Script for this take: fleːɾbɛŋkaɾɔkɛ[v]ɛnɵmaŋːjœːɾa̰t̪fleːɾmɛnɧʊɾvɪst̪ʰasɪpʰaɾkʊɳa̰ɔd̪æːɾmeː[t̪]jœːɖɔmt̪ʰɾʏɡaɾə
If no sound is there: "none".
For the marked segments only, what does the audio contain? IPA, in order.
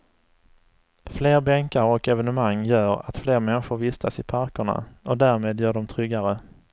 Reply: v, d̪

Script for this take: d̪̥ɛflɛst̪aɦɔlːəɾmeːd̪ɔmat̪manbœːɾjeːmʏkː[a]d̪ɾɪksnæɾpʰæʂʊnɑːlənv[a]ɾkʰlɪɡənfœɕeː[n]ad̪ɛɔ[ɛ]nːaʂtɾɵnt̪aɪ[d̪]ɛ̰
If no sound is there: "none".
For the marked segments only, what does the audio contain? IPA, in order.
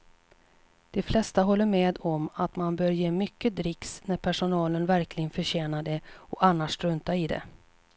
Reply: ə, æ, n, a, d̪

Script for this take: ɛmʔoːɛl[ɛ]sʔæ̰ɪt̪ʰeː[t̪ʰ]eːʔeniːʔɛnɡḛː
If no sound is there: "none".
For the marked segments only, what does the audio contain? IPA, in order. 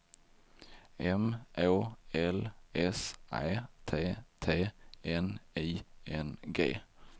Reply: ɛ, t̪ʰ

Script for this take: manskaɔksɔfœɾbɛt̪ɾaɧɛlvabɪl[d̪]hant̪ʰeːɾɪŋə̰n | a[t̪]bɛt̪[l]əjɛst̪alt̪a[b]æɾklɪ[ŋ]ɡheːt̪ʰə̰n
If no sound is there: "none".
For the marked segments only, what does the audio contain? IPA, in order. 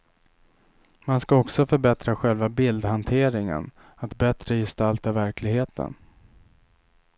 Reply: d̪, t̪, ɾ, v, none

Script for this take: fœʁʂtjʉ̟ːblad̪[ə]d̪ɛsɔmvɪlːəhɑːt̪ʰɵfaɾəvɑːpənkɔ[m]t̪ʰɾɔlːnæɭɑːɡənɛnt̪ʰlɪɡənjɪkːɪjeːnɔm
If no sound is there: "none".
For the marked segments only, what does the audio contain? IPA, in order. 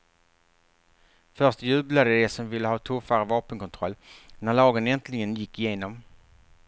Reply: ə, n

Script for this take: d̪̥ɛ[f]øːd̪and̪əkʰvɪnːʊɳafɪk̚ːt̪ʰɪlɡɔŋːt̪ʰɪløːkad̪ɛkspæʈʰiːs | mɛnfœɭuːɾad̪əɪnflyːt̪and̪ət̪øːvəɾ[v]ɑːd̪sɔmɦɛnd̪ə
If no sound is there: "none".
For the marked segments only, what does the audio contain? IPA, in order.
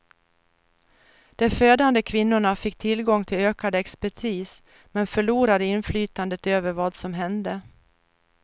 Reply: f, v

